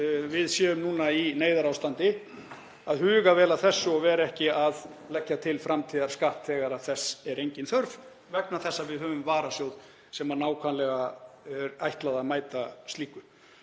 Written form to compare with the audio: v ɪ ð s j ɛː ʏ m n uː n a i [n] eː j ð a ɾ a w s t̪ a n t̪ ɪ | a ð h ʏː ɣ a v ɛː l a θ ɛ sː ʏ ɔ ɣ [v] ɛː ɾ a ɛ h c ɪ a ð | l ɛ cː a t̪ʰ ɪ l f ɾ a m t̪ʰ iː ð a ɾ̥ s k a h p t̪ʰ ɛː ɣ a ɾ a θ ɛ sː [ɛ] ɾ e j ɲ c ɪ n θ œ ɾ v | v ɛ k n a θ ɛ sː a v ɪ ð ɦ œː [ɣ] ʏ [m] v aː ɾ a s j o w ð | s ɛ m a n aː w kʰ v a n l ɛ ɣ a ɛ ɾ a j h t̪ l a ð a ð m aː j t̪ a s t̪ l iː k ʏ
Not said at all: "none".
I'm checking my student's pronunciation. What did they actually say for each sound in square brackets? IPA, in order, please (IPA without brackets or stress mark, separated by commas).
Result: n, v, ɛ, v, m